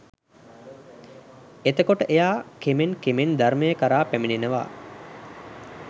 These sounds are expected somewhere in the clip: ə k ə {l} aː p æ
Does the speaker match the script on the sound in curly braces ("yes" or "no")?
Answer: no